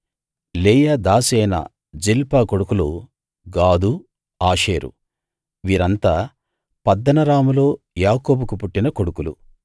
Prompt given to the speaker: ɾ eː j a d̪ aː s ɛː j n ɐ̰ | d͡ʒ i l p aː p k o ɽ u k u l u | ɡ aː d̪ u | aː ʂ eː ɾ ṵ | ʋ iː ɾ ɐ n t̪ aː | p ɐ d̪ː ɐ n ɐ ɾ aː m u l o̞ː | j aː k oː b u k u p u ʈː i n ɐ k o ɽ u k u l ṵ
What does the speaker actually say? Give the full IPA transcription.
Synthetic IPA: l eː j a d̪ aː s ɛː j n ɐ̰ | d͡ʒ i l p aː k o ɽ u k u l u | ɡ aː d̪ u | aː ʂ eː ɾ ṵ | ʋ iː ɾ ɐ n t̪ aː | p ɐ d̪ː ɐ n ɐ ɾ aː m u l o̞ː | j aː k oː b u k u p u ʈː i n ɐ k o ɽ u k u l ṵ